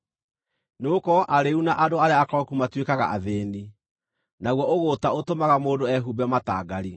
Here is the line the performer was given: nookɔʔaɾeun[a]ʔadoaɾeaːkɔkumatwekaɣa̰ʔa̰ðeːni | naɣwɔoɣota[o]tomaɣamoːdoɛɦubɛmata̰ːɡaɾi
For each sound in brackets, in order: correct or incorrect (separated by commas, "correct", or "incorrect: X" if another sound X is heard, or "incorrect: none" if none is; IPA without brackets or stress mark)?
correct, correct